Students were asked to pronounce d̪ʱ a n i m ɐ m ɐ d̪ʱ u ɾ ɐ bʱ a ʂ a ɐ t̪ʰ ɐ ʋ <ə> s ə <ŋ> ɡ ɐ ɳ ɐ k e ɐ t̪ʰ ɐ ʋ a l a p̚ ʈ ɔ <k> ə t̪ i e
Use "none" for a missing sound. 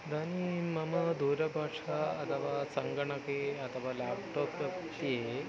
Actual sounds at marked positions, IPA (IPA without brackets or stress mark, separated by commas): a, ŋ, p